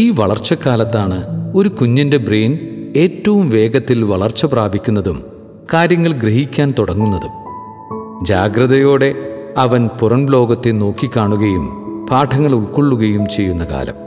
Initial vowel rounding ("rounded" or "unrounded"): unrounded